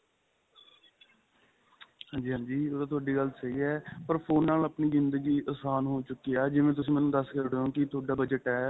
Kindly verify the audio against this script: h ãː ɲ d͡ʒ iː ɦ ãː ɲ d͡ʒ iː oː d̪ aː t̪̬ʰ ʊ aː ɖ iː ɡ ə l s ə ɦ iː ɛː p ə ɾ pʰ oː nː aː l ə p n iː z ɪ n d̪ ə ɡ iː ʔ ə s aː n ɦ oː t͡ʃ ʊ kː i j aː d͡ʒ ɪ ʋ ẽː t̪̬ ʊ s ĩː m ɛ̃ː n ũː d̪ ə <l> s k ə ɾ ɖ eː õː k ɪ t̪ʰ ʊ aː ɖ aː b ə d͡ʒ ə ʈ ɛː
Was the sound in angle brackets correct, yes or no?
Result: no